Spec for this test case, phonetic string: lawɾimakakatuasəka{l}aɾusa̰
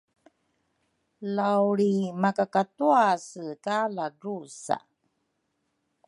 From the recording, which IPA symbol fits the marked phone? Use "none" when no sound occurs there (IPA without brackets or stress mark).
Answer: l